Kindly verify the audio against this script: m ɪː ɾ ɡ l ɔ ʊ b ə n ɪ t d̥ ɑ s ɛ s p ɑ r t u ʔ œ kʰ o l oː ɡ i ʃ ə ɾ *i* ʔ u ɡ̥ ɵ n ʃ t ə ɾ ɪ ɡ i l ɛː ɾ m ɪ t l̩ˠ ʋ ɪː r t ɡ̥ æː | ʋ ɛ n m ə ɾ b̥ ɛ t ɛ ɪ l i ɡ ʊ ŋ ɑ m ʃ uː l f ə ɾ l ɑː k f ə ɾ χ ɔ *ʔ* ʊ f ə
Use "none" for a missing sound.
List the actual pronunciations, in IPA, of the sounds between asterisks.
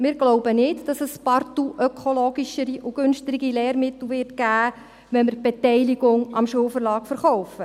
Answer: i, none

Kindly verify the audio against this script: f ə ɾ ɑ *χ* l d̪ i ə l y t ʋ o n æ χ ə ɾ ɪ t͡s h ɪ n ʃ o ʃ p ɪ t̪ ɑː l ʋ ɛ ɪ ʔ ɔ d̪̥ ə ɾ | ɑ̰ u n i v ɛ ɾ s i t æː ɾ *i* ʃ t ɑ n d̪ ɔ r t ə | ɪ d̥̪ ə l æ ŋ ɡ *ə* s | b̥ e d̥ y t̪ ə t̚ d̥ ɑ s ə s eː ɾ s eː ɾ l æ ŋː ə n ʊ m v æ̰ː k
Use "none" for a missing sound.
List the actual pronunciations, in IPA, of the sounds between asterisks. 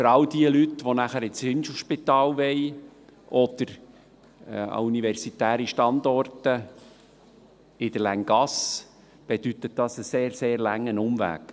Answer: none, i, ɑ

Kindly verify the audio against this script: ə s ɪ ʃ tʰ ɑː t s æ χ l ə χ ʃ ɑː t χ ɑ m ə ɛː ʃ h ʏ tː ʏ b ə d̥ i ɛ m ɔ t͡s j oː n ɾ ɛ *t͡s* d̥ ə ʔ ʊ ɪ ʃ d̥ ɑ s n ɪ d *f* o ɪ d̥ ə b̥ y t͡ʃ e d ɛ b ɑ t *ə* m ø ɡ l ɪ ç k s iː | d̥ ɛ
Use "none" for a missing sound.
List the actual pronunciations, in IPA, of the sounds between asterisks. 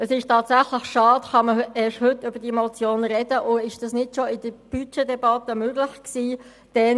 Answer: none, ʃ, ə

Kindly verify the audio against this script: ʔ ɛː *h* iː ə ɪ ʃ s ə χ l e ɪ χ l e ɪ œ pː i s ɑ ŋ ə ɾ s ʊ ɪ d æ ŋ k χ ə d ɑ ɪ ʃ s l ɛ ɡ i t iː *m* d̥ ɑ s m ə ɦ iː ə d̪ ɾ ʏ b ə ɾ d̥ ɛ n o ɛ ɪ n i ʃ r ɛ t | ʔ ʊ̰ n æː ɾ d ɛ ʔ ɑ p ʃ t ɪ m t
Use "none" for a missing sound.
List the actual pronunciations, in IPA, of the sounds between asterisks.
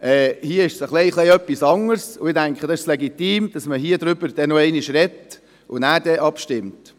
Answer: h, m

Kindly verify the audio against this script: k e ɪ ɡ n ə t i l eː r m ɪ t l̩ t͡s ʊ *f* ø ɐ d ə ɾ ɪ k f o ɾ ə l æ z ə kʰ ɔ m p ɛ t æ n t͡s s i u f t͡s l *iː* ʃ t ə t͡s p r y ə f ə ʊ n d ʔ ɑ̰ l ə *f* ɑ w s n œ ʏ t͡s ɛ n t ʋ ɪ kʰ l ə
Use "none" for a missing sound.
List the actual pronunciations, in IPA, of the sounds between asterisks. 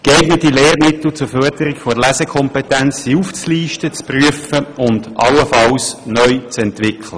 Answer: f, iː, f

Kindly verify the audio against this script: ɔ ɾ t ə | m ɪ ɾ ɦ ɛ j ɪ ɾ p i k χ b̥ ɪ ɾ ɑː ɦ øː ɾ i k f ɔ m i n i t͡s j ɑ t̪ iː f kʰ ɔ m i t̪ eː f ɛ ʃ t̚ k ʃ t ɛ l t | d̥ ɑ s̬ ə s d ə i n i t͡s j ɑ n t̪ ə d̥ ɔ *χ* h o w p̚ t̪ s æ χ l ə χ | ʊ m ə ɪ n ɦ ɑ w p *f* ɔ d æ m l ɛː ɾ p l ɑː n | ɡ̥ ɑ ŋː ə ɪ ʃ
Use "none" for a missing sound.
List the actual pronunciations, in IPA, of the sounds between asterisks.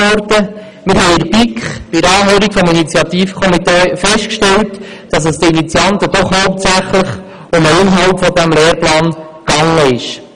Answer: χ, f

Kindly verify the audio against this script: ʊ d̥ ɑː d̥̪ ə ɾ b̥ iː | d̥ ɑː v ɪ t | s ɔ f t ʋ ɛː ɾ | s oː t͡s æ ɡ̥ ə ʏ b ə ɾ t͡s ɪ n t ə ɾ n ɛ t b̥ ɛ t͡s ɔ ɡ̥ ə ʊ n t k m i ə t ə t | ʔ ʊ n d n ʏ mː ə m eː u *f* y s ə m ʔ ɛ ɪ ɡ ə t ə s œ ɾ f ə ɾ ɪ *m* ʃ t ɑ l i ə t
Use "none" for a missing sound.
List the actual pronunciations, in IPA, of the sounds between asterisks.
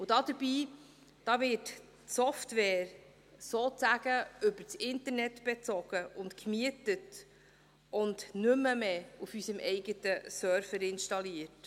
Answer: f, n

